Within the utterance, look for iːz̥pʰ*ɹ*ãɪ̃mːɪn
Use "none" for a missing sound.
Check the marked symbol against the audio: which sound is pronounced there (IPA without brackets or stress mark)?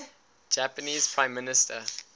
ɹ